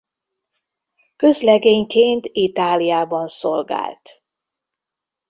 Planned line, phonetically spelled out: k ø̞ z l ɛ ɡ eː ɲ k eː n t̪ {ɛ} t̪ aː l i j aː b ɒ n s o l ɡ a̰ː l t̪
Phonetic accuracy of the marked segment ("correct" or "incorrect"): incorrect